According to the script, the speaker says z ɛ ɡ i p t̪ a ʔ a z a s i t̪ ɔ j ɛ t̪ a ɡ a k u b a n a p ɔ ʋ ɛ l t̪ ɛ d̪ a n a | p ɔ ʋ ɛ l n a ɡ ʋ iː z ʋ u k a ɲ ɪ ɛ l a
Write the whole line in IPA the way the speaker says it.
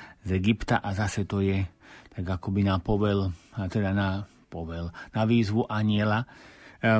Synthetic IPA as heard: z ɛ ɡ i p t̪ a ʔ a z a s ɛ t̪ ɔ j ɛ t̪ a ɡ a k ɔ b i n a p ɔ ʋ ɛ l t̪ ɛ d̪ a n a | p ɔ ʋ ɛ l n a ʋ iː z ʋ u ʔ a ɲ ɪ ɛ l a